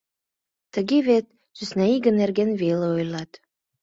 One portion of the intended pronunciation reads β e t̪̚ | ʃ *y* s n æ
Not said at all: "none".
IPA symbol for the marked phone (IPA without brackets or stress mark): y